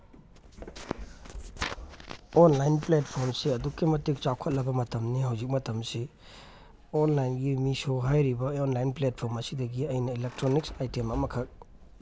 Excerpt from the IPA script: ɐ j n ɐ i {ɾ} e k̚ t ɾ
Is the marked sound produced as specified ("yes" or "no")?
no